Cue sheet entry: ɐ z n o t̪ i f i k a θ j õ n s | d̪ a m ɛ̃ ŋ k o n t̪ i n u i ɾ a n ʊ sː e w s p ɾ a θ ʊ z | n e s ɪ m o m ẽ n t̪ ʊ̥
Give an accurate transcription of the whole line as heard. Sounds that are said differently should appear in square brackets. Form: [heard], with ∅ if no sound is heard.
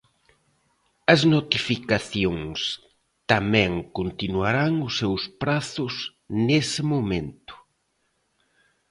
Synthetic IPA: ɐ z n o t̪ i f i k a θ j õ [ŋ] s | [t̪] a m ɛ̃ ŋ k o n t̪ i n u [a] ɾ a [ŋ] ʊ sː e w s p ɾ a θ ʊ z | n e s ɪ m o m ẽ n t̪ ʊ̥